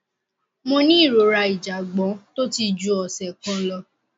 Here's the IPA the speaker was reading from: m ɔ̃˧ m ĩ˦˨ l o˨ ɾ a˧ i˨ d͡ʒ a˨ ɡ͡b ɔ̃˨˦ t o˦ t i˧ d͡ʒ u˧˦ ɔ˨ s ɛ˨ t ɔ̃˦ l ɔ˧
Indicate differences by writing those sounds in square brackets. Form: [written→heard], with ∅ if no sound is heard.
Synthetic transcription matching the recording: m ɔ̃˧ [m→n] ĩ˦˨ [l→ɾ] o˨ ɾ a˧ i˨ d͡ʒ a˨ ɡ͡b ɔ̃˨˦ t o˦ t i˧ d͡ʒ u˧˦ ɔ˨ s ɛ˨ [t→k] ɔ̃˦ l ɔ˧